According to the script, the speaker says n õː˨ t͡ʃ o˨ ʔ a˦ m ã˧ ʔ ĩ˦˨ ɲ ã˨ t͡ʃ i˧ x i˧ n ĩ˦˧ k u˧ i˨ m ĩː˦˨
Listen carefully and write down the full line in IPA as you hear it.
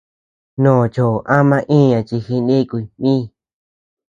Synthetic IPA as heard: n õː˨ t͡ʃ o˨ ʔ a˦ m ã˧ ʔ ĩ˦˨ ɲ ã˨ t͡ʃ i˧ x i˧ n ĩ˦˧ k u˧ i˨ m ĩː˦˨

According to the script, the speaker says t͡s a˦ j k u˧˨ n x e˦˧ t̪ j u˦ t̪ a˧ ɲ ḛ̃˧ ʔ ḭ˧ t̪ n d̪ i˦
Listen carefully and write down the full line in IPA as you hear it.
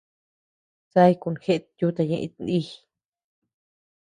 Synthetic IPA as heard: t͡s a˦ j k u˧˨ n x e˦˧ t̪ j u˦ t̪ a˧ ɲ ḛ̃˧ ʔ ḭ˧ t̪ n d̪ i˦

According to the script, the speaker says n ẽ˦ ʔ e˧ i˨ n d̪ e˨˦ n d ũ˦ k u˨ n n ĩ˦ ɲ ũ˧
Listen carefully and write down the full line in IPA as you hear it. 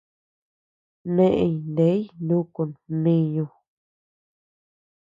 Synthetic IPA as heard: n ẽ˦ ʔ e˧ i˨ n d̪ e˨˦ n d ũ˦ k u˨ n n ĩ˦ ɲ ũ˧

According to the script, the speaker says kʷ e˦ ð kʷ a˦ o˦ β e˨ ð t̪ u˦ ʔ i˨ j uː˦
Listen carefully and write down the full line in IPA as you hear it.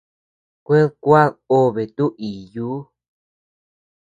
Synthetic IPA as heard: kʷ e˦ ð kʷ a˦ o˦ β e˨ t̪ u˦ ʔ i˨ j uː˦

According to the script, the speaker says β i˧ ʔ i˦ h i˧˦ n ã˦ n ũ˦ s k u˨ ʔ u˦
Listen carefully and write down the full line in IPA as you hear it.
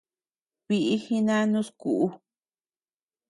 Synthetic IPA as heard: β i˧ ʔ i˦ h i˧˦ n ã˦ n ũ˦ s k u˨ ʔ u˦

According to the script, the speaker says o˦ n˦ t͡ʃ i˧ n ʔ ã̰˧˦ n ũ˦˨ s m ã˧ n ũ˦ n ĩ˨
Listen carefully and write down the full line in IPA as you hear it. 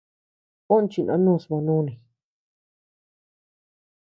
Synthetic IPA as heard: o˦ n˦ t͡ʃ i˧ n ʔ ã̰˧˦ n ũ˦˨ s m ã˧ n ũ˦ n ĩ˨

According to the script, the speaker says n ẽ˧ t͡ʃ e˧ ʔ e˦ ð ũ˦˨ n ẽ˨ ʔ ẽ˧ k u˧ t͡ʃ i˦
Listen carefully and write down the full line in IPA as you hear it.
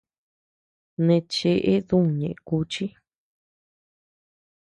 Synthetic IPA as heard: n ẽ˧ t͡ʃ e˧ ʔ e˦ ð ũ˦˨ ɲ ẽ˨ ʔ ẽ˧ k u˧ t͡ʃ i˦

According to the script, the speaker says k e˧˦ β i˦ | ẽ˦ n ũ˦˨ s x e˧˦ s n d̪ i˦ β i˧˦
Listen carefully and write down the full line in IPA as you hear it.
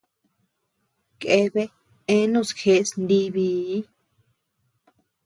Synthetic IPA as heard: k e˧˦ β e˦ | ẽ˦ n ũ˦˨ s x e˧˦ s n d̪ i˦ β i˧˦

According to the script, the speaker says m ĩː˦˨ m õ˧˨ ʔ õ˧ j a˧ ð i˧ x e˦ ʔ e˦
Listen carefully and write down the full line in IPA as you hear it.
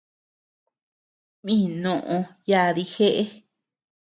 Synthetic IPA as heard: m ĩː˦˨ n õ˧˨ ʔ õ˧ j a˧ ð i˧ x e˦ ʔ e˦

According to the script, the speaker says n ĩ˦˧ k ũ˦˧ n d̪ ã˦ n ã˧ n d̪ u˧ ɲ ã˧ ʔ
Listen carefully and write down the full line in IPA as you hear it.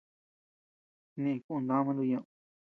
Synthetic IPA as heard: n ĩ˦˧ k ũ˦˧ n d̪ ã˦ m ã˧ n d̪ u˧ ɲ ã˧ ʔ

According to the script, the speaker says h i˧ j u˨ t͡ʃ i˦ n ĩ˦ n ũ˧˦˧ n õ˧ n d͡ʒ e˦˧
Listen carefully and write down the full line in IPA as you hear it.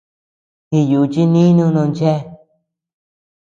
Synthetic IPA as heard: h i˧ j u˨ t͡ʃ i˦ n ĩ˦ n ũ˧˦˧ n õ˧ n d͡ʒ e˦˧

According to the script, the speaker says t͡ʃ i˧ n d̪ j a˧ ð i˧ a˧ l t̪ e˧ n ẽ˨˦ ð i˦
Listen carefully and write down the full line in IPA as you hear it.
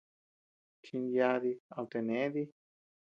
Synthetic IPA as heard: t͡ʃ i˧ n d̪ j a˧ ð i˧ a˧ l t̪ e˧ n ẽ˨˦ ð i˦

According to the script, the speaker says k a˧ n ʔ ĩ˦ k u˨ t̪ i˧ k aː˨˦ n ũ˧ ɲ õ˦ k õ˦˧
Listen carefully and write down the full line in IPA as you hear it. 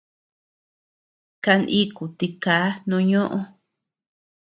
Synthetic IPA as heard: k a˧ n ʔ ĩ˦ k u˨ t̪ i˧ k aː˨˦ n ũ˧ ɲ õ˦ ʔ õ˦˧

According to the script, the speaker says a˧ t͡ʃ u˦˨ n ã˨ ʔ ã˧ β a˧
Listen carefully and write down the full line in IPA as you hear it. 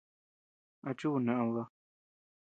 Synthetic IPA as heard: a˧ t͡ʃ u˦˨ n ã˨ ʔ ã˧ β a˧

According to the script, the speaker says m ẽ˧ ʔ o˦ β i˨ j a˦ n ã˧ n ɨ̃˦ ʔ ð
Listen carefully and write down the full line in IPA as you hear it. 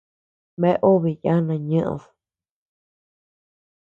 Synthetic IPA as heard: m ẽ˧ ʔ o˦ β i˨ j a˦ n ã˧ ɲ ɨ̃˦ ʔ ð

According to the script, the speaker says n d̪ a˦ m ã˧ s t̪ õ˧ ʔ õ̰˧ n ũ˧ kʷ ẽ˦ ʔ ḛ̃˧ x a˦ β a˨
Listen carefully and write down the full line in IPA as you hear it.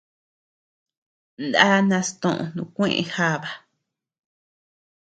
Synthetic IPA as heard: n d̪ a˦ n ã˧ s t̪ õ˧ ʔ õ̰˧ n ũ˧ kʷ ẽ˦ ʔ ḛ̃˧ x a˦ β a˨

